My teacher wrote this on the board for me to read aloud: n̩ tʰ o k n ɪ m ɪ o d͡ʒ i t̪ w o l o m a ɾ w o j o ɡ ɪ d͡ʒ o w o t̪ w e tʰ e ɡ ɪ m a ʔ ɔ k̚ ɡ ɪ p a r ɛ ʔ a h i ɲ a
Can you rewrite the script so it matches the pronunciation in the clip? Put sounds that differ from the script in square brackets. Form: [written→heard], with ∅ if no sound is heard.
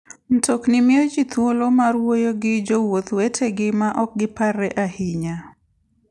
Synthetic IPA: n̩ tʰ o k n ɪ m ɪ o d͡ʒ i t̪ w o l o m a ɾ w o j o ɡ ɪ d͡ʒ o w o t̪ w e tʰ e ɡ ɪ m a ʔ ɔ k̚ ɡ ɪ p a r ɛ ʔ a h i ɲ a